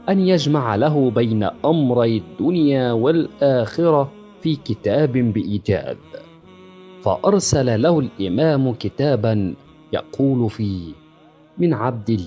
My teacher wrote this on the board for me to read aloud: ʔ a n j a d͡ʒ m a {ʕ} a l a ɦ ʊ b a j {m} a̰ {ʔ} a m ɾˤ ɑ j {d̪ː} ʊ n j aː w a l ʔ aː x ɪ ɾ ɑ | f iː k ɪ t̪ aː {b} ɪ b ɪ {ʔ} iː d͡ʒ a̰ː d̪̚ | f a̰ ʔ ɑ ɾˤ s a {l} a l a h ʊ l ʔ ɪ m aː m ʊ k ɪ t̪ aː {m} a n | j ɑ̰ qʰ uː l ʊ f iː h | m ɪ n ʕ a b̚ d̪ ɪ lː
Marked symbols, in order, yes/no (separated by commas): yes, no, yes, yes, yes, yes, yes, no